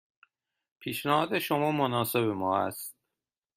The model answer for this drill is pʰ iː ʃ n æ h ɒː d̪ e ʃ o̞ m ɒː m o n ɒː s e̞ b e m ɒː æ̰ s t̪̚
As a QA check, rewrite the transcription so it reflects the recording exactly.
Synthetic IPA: pʰ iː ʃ n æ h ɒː d̪ e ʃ o̞ m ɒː m o n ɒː s e̞ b e m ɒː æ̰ s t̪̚